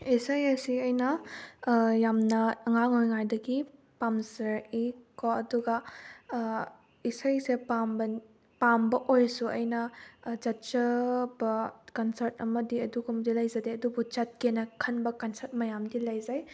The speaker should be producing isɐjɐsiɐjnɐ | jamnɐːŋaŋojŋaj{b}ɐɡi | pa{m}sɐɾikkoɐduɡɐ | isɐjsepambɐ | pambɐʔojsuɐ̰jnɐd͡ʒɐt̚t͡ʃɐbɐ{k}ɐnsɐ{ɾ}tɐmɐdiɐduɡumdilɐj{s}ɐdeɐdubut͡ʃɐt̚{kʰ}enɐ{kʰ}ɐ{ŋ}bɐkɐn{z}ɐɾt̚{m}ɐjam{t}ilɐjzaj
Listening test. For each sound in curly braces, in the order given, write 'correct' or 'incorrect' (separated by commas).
incorrect, correct, correct, correct, incorrect, incorrect, correct, incorrect, incorrect, correct, incorrect